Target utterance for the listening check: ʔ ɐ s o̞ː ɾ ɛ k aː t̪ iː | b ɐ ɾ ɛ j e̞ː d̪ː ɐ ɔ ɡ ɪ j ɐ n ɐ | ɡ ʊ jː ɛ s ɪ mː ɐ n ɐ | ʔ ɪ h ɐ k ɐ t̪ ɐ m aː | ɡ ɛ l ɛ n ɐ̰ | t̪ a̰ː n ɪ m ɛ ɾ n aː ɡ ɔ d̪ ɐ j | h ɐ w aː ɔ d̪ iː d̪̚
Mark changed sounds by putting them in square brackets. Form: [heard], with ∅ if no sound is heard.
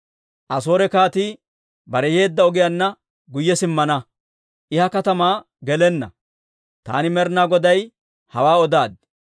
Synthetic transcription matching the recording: ʔ ɐ s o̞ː ɾ ɛ k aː t̪ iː | b ɐ ɾ ɛ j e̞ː d̪ː ɐ ɔ ɡ ɪ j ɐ [nː] ɐ | ɡ ʊ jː ɛ s ɪ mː ɐ n ɐ | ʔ ɪ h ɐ k ɐ t̪ ɐ m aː | ɡ ɛ l ɛ [nː] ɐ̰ | t̪ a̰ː n ɪ m ɛ ɾ n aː ɡ ɔ d̪ ɐ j | h ɐ w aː ɔ d̪ [aː] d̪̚